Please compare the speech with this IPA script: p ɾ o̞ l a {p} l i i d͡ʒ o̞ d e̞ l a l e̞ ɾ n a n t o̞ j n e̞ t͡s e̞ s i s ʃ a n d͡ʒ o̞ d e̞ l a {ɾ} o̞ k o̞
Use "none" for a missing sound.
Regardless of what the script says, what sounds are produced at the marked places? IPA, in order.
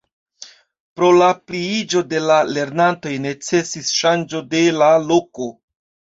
p, l

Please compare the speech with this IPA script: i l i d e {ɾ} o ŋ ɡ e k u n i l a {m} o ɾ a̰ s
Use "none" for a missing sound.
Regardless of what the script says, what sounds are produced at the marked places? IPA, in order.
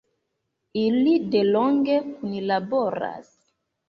l, b

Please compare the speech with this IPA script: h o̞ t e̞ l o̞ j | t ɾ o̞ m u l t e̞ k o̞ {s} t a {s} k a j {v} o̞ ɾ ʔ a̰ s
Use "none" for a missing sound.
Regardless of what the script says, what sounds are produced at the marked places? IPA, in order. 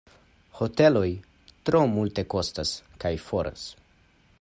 s, s, f

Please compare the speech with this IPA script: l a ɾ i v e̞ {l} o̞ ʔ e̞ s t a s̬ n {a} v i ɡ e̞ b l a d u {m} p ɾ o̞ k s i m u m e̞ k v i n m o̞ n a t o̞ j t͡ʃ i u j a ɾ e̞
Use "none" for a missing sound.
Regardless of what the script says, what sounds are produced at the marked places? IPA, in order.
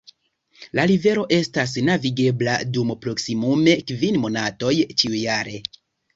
ɾ, a, m

